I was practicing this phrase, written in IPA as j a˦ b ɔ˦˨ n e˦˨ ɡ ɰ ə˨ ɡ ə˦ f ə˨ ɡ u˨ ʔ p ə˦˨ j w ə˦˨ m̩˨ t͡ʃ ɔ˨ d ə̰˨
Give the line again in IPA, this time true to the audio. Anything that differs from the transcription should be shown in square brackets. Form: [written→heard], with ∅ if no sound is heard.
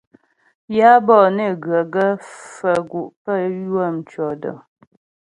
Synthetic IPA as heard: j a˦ b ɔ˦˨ n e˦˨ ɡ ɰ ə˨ ɡ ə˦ f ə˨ ɡ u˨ ʔ p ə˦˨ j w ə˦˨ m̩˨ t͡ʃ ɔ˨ d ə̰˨